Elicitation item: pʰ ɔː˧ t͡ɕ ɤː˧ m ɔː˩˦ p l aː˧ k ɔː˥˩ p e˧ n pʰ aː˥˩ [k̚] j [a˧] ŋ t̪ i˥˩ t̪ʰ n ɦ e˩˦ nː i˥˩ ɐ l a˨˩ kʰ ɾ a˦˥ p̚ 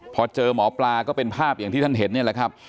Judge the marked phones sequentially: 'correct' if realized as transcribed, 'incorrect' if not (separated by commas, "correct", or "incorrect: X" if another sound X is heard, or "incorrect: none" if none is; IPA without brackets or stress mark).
incorrect: p̚, incorrect: a˨˩